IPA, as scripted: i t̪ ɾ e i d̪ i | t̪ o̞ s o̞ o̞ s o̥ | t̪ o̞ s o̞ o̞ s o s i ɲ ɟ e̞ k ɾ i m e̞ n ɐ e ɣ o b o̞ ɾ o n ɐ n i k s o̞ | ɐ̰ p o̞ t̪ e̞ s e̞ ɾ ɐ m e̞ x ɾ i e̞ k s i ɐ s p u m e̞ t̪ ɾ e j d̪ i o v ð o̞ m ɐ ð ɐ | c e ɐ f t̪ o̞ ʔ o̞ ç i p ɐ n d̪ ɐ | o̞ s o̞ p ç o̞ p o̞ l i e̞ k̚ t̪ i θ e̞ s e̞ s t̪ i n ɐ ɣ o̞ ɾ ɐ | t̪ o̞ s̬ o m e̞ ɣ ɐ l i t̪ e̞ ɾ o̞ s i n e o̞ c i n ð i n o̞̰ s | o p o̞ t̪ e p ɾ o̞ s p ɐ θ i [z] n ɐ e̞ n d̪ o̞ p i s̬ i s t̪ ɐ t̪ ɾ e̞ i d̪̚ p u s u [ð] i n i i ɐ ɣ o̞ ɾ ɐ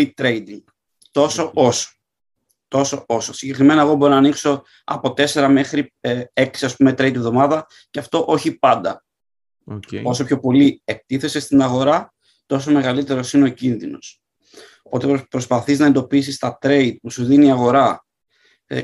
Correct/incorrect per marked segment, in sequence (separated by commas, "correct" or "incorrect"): correct, correct